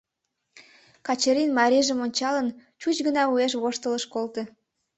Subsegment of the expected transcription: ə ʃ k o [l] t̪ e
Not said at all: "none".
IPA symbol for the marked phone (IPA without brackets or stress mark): l